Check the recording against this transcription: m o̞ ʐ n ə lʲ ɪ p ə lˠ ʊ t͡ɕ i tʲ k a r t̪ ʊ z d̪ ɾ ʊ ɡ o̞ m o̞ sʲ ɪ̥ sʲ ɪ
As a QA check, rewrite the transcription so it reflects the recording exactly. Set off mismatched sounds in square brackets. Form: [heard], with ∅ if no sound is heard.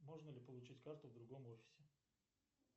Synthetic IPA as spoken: m o̞ ʐ n ə lʲ ɪ p ə lˠ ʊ t͡ɕ i tʲ k a r t̪ ʊ [v] d̪ ɾ ʊ ɡ o̞ m o̞ [fʲ] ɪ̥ sʲ ɪ